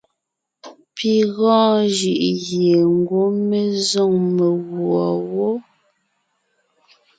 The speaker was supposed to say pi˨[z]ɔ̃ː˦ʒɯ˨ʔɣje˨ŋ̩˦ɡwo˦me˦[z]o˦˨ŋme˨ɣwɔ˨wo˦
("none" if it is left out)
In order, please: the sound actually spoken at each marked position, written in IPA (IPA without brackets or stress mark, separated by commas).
ɣ, z